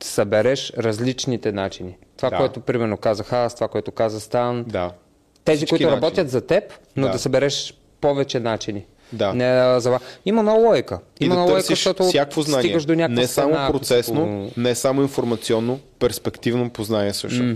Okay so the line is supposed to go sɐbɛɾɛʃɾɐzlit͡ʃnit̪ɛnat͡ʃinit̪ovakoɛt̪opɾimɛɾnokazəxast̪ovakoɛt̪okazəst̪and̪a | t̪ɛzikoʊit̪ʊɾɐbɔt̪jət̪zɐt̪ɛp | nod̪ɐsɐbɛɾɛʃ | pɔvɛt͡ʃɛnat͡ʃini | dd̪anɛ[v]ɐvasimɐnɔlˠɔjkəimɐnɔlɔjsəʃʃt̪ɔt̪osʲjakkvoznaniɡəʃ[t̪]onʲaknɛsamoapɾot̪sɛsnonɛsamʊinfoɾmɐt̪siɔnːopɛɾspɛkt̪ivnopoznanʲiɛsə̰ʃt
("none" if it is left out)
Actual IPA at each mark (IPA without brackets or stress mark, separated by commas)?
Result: z, d̪